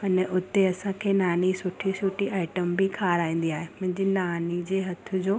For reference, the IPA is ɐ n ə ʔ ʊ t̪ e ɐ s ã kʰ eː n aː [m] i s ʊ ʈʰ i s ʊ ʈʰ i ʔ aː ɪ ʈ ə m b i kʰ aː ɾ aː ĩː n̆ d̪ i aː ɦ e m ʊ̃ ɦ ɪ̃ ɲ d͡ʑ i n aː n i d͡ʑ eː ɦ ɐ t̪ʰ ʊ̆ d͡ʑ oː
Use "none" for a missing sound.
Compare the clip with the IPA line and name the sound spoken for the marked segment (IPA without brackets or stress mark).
n